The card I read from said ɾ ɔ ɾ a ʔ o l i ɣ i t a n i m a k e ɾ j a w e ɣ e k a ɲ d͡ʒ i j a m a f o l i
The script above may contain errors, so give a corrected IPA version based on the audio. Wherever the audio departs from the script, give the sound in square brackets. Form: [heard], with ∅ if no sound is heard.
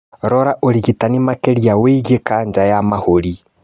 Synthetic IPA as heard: ɾ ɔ ɾ a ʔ o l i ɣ i t a n i m a k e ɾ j a w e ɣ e k a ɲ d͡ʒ [a] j a m a [h] o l i